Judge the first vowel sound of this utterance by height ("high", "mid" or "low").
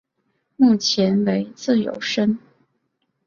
high